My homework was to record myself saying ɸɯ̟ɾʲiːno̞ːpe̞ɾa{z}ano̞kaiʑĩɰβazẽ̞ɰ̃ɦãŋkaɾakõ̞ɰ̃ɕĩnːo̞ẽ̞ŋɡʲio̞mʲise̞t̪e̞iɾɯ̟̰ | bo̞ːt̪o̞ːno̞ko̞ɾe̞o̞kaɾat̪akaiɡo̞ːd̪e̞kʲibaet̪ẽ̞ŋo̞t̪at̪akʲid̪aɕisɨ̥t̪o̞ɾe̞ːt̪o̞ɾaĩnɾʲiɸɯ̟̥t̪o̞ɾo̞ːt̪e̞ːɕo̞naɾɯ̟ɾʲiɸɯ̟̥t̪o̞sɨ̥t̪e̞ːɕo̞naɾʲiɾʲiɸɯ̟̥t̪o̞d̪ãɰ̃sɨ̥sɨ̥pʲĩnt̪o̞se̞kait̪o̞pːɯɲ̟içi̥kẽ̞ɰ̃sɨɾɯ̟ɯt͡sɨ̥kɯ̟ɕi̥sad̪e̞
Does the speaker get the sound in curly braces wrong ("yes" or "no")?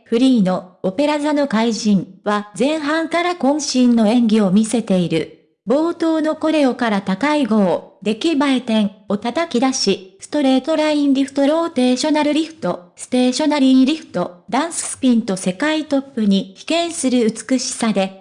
no